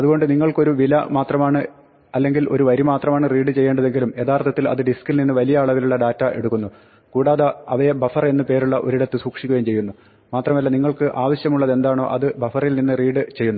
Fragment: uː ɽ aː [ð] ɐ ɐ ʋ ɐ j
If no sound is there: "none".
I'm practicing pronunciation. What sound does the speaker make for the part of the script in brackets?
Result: ð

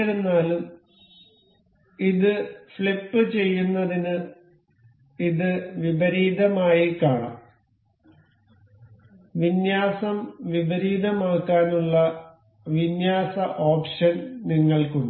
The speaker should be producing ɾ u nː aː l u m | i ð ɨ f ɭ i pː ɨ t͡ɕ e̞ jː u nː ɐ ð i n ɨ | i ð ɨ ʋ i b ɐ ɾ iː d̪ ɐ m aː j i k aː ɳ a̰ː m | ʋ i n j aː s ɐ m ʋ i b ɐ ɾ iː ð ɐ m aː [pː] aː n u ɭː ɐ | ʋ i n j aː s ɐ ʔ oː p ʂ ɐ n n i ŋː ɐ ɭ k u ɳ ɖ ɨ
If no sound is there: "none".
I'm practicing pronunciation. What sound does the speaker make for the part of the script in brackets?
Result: kː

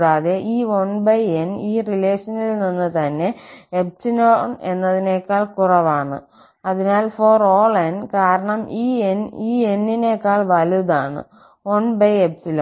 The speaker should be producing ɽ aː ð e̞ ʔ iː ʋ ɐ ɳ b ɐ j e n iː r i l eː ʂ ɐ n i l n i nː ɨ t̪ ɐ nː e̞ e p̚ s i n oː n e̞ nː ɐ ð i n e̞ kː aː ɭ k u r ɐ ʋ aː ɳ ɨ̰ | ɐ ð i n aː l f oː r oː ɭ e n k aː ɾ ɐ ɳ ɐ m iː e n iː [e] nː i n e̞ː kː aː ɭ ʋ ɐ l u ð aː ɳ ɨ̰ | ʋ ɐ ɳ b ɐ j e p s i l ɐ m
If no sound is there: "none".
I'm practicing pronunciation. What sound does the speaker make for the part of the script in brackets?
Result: e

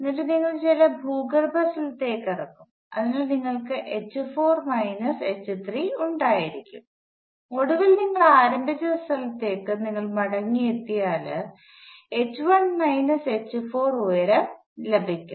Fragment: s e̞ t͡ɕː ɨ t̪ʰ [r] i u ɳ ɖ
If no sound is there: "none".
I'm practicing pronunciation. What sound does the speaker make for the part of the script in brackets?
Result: r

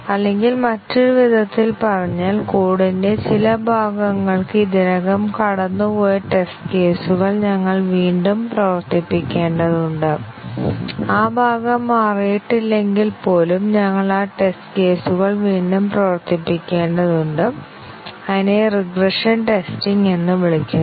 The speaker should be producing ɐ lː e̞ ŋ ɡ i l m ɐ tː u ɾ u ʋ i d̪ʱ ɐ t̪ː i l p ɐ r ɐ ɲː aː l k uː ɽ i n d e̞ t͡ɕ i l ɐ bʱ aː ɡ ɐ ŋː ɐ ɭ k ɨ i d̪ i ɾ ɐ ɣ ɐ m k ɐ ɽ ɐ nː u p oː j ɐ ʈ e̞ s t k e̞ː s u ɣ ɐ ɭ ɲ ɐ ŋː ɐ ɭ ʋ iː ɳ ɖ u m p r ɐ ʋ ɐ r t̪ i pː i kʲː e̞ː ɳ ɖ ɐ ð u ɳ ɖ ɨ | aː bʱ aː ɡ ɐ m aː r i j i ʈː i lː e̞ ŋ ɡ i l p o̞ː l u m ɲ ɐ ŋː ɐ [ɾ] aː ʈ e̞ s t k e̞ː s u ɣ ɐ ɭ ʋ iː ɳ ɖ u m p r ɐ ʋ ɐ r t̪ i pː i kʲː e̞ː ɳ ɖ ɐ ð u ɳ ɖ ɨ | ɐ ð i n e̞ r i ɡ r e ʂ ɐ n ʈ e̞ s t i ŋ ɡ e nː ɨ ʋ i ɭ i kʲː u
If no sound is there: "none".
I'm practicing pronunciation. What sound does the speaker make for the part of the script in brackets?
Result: ɭ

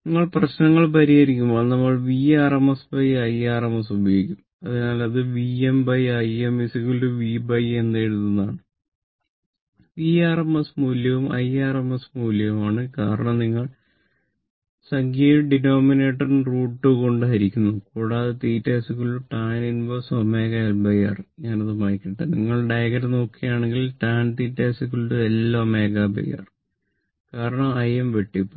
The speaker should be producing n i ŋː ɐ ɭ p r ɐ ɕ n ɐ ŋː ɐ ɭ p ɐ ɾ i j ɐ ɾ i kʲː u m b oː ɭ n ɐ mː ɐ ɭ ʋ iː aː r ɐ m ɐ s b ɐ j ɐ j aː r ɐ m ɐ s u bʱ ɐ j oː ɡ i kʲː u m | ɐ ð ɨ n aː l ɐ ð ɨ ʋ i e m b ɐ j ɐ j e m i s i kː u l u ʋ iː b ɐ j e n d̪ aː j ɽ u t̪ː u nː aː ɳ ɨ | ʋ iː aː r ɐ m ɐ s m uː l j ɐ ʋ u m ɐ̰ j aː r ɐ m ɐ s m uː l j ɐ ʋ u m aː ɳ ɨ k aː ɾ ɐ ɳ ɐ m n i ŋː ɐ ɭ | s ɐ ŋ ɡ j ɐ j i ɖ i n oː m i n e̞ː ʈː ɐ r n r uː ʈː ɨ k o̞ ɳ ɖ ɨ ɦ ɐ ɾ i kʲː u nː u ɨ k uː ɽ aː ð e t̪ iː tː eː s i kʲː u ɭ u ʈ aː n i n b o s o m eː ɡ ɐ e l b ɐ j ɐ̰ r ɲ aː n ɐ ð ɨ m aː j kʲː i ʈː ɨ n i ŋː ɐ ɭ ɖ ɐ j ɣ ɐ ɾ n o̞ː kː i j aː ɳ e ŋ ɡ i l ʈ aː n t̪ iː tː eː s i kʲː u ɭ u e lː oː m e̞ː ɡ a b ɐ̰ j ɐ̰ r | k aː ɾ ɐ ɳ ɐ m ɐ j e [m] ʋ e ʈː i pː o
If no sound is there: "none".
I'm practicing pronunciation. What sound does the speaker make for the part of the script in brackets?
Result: m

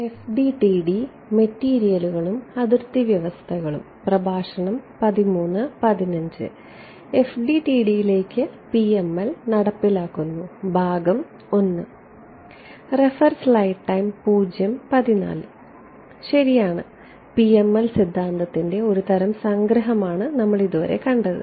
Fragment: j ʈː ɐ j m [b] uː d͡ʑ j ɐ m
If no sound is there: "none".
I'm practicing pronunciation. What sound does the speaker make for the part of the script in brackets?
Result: p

